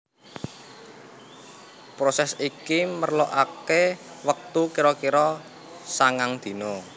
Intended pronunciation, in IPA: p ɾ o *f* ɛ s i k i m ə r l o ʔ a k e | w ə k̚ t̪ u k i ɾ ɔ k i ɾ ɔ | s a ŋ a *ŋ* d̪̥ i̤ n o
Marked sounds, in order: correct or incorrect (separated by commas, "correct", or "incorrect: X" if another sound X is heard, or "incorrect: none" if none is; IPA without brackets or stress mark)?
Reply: incorrect: s, correct